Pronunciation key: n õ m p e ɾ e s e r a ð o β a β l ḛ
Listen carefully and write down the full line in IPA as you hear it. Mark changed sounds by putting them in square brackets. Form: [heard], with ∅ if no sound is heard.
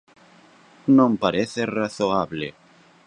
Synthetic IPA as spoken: n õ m p [a] ɾ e [θ] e r a [θ] o [∅] a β l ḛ